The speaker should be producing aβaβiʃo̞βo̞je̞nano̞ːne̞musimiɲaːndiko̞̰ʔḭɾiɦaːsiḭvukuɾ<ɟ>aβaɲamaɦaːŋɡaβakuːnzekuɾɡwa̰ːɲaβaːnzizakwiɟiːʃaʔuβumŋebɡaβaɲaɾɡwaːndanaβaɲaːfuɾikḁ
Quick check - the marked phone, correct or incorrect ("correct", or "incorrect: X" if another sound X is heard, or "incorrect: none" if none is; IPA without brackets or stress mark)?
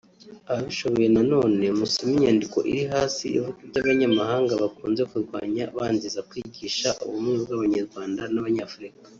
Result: correct